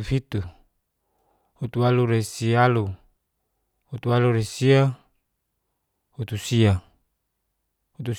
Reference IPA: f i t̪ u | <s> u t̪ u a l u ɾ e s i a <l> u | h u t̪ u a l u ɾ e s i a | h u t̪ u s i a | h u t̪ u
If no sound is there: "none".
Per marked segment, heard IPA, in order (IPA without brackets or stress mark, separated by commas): h, l